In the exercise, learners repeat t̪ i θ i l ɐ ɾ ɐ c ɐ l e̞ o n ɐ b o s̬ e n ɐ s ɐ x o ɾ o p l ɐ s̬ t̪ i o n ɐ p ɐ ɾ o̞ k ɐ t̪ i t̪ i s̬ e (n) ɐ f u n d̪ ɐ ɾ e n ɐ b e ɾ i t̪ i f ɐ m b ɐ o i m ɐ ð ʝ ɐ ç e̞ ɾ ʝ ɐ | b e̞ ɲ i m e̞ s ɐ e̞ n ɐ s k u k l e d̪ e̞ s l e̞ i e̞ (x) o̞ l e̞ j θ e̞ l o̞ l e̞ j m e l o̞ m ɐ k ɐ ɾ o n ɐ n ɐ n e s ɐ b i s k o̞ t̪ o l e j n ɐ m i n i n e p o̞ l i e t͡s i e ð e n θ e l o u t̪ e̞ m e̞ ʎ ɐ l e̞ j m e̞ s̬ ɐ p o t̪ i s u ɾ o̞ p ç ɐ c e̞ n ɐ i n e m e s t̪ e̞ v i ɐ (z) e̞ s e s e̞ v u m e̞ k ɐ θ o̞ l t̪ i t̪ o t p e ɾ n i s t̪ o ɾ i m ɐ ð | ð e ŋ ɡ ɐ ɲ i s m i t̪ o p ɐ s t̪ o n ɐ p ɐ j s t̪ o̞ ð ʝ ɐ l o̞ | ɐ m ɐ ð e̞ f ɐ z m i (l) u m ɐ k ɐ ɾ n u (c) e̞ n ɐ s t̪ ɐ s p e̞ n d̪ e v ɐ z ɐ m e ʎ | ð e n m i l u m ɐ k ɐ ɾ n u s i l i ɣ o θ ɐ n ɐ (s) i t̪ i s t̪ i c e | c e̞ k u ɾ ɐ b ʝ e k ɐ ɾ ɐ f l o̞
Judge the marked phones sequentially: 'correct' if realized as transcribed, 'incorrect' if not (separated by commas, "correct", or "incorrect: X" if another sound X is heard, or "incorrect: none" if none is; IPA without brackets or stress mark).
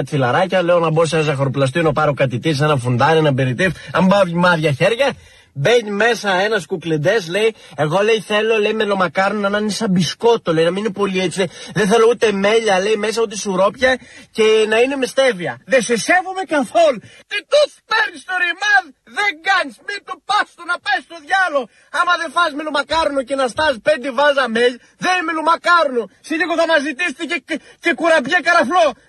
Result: correct, incorrect: ɣ, incorrect: ð, correct, correct, incorrect: z